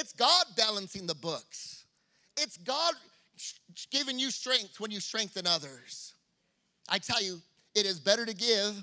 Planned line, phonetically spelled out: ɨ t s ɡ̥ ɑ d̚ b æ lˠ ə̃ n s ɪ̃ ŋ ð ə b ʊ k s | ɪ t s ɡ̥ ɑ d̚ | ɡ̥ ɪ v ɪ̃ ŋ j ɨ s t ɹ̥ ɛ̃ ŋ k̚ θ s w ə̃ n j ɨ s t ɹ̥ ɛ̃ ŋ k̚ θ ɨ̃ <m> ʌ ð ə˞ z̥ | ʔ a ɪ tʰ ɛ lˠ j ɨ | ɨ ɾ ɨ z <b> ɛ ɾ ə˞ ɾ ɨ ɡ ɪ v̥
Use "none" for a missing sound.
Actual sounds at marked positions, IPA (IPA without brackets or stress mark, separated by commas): n, b